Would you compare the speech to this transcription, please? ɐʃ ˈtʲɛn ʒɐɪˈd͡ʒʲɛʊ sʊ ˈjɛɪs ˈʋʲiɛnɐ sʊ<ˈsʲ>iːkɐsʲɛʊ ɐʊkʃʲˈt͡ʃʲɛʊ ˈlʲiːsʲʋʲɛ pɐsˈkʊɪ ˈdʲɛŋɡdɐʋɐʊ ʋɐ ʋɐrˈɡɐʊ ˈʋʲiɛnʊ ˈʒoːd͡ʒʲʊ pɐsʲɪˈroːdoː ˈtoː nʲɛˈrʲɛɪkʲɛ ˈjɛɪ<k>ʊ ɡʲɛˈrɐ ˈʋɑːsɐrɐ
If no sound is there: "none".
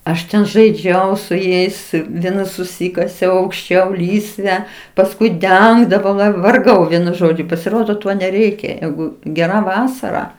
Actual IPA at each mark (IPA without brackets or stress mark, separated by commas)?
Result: sʲ, ɡ